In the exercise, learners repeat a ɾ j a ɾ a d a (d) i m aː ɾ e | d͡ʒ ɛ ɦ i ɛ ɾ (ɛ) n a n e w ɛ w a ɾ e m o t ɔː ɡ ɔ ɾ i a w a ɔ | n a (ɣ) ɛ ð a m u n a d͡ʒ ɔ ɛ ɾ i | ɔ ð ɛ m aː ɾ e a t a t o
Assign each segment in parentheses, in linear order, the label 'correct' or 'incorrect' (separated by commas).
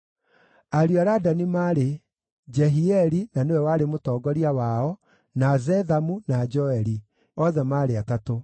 incorrect, incorrect, incorrect